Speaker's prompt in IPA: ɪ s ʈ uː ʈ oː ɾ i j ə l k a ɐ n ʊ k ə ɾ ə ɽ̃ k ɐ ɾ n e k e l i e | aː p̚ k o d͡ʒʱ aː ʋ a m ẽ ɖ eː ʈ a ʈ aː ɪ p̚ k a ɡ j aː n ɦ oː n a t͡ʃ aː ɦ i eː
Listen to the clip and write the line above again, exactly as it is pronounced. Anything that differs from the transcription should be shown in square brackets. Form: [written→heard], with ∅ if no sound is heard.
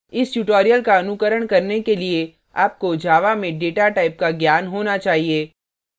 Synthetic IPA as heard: ɪ s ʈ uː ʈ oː ɾ i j ə l k a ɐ n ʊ k ə ɾ ə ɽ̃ k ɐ ɾ n e k e l i e | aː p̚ k o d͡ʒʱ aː ʋ a m ẽ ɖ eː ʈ a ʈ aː ɪ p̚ k a ɡ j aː n ɦ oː n a t͡ʃ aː ɦ i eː